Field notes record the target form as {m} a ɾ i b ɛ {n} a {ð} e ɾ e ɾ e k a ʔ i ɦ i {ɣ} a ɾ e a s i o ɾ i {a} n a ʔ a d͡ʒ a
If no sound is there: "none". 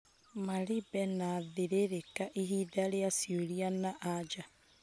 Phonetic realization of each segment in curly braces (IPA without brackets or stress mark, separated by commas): m, n, ð, ð, a